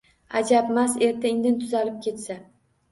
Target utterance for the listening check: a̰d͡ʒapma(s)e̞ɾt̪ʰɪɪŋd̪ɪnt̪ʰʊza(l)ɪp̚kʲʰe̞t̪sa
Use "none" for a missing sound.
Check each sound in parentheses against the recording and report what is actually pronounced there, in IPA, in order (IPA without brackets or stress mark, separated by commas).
s, l